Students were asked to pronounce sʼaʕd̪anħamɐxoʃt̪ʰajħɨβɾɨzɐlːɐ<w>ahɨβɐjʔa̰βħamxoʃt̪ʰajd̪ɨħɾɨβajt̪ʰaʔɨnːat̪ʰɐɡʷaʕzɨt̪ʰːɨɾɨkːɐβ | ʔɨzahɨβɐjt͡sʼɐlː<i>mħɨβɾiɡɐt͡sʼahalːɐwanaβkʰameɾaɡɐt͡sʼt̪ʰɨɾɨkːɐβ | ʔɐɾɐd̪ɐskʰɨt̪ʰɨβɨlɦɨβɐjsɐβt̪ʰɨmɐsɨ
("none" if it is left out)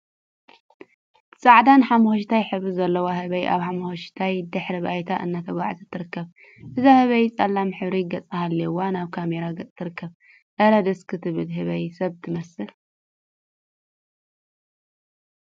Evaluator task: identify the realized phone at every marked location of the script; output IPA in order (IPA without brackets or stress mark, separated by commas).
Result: w, a